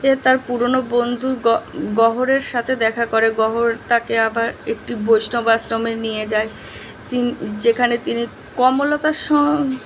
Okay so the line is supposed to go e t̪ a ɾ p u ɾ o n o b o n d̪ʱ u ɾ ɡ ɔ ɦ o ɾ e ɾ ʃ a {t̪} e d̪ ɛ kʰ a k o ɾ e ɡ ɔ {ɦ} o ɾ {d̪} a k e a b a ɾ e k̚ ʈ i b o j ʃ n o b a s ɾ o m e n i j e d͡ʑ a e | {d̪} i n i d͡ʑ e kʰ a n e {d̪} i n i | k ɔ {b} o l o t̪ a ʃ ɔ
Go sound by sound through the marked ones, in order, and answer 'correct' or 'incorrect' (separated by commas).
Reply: incorrect, correct, incorrect, incorrect, incorrect, incorrect